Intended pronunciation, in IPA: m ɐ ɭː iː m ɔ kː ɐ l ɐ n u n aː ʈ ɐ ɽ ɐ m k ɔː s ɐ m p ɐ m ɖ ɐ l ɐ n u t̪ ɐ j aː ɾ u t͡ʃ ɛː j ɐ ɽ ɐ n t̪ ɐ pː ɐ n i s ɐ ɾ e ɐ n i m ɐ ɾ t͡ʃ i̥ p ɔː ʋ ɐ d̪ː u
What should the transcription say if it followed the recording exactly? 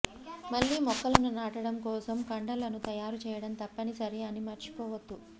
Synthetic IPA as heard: m ɐ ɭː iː m ɔ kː ɐ l ɐ n u n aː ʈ ɐ ɽ ɐ m k ɔː s ɐ m k ɐ ɳ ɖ ɐ l ɐ n u t̪ ɐ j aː ɾ u t͡ʃ ɛː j ɐ ɽ ɐ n t̪ ɐ pː ɐ n i s ɐ ɾ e ɐ n i m ɐ ɾ t͡ʃ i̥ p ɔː ʋ ɐ d̪ː u